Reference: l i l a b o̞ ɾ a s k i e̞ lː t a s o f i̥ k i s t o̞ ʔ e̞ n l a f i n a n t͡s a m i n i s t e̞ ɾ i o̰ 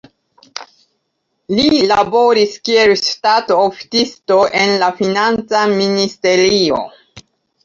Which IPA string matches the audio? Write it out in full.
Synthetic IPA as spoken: l i l a b o̞ ɾ i s k i e̞ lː t a t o f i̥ t i s t o̞ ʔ e̞ n l a f i n a n t͡s a m i n i s t e̞ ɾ i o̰